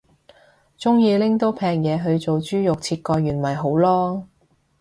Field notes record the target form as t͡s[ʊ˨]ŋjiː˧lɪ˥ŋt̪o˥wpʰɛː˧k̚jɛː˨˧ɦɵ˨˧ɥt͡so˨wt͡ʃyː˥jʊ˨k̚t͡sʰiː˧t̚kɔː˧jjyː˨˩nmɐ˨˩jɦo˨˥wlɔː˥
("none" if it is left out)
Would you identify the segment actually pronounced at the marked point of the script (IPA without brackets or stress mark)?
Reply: ʊ˥